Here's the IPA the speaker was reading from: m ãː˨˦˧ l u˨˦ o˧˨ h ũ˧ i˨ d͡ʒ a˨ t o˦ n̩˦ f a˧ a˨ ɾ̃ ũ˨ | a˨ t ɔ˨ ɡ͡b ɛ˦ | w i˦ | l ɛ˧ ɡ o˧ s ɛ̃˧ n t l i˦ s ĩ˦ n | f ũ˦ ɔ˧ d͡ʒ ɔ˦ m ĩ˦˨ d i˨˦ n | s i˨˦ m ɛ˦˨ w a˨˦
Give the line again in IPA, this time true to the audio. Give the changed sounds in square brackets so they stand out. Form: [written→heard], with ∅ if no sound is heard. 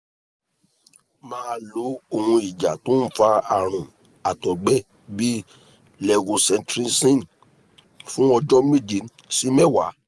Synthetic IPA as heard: m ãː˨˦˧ l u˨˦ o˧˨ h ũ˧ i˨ d͡ʒ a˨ t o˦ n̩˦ f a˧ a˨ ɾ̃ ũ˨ | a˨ t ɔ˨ ɡ͡b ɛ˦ | [w→b] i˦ | l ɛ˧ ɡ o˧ s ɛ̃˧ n t [l→ɾ] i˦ s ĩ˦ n | f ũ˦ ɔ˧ d͡ʒ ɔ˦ m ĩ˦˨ [d→d͡ʒ] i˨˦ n | s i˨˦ m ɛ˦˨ w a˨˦